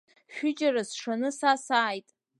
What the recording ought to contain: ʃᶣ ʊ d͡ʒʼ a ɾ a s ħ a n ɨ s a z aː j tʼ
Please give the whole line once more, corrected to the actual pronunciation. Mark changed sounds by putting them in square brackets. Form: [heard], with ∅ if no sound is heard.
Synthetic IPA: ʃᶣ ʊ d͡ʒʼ a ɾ a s [ʂ] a n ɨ s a [s] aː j tʼ